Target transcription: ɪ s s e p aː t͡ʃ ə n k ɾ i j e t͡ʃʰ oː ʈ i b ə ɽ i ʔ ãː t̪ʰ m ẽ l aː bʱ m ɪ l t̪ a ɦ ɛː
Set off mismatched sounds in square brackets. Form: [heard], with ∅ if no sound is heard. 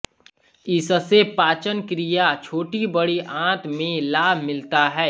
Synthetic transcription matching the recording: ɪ s s e p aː t͡ʃ ə n k ɾ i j [a] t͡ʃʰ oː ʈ i b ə ɽ i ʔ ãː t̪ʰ m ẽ l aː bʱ m ɪ l t̪ a ɦ ɛː

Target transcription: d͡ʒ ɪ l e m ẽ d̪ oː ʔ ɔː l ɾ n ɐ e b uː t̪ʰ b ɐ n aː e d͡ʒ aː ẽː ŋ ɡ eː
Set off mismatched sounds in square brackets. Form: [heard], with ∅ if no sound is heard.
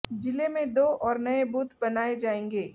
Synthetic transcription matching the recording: d͡ʒ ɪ l e m ẽ d̪ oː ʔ ɔː [∅] ɾ n ɐ e b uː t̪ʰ b ɐ n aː e d͡ʒ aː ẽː ŋ ɡ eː

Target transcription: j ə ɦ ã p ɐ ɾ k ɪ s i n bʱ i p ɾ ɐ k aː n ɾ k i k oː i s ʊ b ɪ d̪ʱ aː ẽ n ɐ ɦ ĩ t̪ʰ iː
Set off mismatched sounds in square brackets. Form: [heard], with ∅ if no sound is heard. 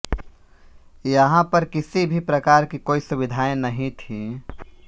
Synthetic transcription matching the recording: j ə ɦ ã p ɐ ɾ k ɪ s i [∅] bʱ i p ɾ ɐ k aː [∅] ɾ k i k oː i s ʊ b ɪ d̪ʱ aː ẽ n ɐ ɦ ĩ t̪ʰ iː

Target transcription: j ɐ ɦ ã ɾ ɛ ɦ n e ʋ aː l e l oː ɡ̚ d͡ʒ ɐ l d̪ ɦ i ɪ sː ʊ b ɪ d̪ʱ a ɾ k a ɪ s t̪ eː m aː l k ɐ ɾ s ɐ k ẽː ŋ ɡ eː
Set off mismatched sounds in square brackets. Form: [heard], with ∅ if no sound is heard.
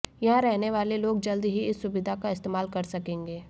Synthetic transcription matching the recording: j ɐ ɦ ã ɾ ɛ ɦ n e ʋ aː l e l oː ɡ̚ d͡ʒ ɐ l d̪ ɦ i ɪ sː ʊ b ɪ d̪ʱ a [∅] k a ɪ s t̪ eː m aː l k ɐ ɾ s ɐ k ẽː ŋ ɡ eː

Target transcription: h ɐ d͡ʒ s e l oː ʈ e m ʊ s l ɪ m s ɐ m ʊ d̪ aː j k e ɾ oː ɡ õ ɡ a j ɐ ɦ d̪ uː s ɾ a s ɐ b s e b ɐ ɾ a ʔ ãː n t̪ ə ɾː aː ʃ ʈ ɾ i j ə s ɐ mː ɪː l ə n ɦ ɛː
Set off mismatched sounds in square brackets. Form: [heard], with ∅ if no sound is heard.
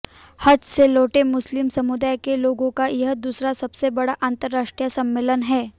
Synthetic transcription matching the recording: h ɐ d͡ʒ s e l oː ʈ e m ʊ s l ɪ m s ɐ m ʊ d̪ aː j k e [l] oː ɡ õ [k] a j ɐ ɦ d̪ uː s ɾ a s ɐ b s e b ɐ [ɽ] a ʔ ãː n t̪ ə ɾː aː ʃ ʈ ɾ i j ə s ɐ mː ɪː l ə n ɦ ɛː

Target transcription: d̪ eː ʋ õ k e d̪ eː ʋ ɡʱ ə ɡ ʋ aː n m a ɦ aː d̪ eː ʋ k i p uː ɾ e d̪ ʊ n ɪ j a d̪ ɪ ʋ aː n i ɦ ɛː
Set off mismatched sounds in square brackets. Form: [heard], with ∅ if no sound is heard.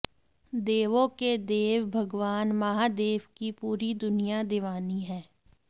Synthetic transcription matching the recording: d̪ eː ʋ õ k e d̪ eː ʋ [bʱ] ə ɡ ʋ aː n m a ɦ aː d̪ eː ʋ k i p uː ɾ [i] d̪ ʊ n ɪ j a d̪ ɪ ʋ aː n i ɦ ɛː

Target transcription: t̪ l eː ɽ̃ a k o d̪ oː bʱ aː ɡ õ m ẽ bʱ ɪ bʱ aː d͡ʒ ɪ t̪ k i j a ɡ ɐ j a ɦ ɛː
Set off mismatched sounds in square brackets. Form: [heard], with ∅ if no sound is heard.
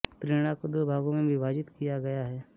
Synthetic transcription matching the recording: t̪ [ɾ] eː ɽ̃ a k o d̪ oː bʱ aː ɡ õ m ẽ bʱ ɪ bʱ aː d͡ʒ ɪ t̪ k i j a ɡ ɐ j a ɦ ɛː

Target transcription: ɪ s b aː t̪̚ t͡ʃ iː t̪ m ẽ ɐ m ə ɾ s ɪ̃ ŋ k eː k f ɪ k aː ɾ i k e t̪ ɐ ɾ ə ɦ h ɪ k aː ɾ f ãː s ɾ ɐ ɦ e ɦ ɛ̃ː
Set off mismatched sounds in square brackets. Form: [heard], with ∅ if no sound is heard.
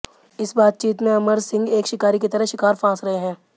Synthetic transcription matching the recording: ɪ s b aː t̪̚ t͡ʃ iː t̪ m ẽ ɐ m ə ɾ s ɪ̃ ŋ [ɡ] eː k [ʃ] ɪ k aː ɾ i k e t̪ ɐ ɾ ə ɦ [ʃ] ɪ k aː ɾ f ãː s ɾ ɐ ɦ e ɦ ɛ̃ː

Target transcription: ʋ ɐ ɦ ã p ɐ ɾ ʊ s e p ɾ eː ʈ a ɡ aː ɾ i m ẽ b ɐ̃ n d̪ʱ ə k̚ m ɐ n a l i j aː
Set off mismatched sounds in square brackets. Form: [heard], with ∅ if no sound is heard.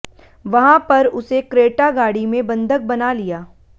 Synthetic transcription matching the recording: ʋ ɐ ɦ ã p ɐ ɾ ʊ s e [k] ɾ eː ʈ a ɡ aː [ɽ] i m ẽ b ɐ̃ n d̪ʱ ə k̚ [b] ɐ n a l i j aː

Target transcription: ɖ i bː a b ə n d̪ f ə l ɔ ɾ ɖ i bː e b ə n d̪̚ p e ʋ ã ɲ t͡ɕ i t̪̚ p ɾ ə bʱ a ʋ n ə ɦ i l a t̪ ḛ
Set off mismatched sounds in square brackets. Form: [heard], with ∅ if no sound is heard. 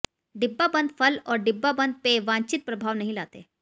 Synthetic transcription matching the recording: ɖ i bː a b ə n d̪ f ə l ɔ ɾ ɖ i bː [a] b ə n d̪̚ p e ʋ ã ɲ t͡ɕ i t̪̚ p ɾ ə bʱ a ʋ n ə ɦ i l a t̪ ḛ

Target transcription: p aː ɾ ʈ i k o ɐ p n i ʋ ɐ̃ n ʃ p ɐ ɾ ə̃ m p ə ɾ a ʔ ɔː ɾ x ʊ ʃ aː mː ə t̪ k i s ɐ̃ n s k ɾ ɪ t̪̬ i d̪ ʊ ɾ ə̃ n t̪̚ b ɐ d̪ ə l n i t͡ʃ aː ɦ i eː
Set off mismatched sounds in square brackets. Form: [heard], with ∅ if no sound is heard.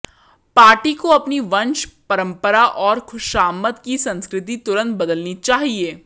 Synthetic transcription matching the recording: p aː ɾ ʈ i k o ɐ p n i ʋ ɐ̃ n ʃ p ɐ ɾ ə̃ m p ə ɾ a ʔ ɔː ɾ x ʊ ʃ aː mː ə t̪ k i s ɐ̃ n s k ɾ ɪ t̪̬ i [t̪] ʊ ɾ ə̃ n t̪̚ b ɐ d̪ ə l n i t͡ʃ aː ɦ i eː

